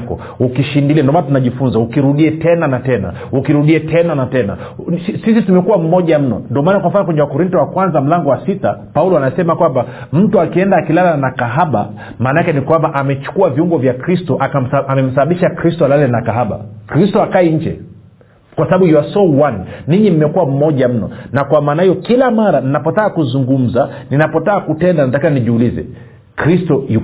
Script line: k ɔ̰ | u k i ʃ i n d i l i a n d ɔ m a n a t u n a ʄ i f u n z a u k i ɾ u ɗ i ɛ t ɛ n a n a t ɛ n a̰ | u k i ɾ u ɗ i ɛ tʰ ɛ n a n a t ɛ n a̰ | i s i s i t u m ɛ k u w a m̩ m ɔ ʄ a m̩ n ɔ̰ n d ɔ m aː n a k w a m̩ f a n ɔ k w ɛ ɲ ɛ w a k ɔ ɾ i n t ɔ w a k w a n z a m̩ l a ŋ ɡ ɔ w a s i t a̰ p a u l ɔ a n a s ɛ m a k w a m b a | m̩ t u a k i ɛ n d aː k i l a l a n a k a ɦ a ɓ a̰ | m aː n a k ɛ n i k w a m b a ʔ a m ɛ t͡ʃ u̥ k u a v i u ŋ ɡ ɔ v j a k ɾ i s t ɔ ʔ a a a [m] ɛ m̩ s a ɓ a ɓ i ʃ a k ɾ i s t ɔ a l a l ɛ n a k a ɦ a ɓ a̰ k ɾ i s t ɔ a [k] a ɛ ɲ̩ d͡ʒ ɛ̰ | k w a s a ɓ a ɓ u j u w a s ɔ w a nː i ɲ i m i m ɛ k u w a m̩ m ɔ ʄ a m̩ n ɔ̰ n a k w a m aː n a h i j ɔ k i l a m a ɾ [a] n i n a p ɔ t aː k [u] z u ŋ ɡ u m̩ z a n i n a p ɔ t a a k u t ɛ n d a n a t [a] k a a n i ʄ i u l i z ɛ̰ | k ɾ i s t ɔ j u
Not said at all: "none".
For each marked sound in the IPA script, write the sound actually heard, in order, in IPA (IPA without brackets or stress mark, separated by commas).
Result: m, k, a, u, a